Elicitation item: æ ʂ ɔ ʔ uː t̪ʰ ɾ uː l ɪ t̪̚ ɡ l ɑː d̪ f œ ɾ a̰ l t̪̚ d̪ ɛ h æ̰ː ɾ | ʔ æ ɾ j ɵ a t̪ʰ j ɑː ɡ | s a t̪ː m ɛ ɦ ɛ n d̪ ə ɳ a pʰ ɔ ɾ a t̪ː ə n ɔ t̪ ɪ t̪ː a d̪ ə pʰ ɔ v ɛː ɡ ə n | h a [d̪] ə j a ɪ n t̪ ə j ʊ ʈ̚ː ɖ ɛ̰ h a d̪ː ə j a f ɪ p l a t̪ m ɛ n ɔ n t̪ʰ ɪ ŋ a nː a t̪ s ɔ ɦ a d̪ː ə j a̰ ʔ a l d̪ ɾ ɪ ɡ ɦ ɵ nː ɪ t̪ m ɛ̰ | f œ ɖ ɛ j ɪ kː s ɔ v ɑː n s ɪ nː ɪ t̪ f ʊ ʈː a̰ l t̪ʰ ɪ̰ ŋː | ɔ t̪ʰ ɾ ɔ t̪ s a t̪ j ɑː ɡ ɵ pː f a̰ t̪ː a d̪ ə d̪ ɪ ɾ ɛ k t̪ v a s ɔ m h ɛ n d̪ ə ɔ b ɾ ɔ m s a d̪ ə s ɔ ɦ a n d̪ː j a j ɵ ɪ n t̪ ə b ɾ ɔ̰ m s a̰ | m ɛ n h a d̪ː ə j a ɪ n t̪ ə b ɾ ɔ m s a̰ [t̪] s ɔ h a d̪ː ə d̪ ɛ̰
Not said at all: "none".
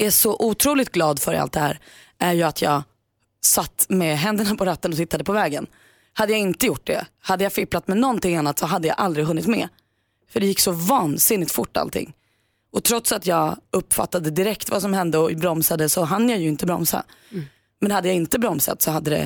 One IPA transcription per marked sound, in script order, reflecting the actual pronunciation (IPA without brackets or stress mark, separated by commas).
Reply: d̪ː, t̪